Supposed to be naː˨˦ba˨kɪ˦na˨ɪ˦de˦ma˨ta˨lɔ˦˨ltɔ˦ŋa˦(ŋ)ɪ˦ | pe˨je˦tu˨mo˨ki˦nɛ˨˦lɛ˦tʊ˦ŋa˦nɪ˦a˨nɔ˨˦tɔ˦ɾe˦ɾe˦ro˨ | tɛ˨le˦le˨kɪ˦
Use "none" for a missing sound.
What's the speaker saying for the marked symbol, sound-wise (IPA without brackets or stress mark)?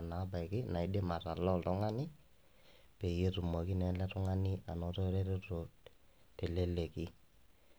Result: n